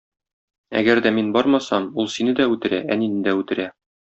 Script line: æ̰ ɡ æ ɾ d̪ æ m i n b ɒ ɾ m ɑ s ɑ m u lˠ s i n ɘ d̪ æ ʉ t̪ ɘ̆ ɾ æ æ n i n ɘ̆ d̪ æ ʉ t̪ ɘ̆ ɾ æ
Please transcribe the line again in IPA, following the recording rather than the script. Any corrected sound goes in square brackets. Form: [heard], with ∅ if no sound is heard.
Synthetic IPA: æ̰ ɡ æ ɾ d̪ æ m i n b ɒ ɾ m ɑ s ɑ m u lˠ s i n ɘ d̪ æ ʉ t̪ ɘ̆ ɾ æ æ n i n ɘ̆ d̪ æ ʉ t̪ ɘ̆ ɾ æ